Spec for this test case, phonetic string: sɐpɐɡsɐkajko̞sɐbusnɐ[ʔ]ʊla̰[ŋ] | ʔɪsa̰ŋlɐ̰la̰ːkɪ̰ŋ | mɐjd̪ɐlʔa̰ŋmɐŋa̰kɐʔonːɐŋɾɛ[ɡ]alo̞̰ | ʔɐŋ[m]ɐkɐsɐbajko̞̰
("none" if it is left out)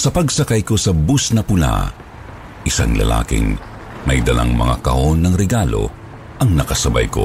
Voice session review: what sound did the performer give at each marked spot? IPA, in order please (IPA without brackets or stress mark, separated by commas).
p, none, ɡ, n